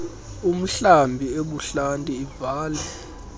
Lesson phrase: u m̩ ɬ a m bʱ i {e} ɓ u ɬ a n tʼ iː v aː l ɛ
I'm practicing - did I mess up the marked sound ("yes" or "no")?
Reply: no